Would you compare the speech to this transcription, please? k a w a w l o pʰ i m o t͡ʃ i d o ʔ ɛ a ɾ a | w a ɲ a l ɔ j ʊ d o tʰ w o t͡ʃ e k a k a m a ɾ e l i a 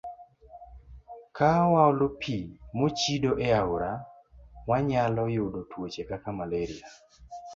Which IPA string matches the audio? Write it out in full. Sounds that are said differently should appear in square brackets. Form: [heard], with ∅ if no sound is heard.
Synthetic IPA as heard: k a w a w l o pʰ i m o t͡ʃ i d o ʔ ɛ a ɾ a | w a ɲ a l ɔ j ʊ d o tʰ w o t͡ʃ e k a k a m a [l] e [ɾ] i a